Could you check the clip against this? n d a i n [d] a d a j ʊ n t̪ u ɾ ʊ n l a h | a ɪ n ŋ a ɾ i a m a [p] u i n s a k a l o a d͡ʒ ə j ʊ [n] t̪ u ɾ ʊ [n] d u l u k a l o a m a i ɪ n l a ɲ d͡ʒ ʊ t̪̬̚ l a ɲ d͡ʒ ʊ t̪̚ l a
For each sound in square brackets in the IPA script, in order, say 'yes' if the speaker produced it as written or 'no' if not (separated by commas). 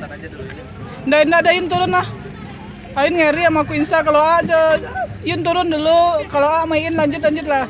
yes, no, yes, yes